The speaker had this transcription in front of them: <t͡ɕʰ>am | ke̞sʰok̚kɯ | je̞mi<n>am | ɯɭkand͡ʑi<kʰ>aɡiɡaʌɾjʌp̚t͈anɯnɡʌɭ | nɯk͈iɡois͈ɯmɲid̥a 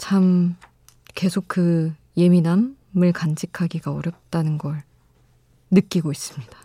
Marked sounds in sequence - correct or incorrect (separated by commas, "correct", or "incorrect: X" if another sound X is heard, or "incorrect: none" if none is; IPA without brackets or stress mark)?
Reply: correct, correct, correct